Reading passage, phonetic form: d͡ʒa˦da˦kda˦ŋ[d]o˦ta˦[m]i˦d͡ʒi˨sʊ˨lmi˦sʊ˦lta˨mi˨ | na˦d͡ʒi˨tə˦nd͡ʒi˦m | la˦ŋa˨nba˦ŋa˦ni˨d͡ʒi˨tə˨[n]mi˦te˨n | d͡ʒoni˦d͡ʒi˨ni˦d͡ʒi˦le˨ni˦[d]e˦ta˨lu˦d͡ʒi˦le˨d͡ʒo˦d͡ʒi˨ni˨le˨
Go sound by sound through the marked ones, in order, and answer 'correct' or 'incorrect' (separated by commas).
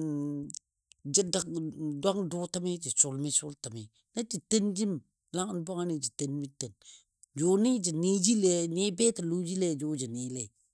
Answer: correct, correct, correct, incorrect